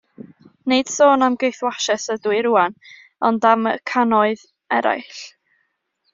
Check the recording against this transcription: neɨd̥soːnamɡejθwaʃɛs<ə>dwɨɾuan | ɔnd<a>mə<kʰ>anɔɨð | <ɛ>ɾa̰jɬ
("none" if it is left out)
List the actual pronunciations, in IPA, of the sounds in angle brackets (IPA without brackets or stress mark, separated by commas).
ə, a, kʰ, ɛ